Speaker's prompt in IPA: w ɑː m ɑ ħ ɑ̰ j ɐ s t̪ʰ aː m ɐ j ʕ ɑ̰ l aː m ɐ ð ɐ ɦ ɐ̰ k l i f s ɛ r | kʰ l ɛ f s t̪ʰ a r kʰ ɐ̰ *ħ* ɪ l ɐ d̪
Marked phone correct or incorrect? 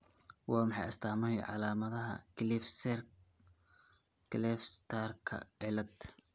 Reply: incorrect